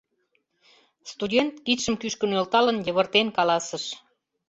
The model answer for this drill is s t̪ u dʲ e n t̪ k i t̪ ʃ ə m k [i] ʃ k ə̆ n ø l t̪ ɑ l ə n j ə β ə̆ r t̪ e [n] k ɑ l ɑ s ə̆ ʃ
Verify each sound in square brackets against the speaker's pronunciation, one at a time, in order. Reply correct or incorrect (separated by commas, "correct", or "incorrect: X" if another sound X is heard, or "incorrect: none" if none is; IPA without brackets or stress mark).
incorrect: y, correct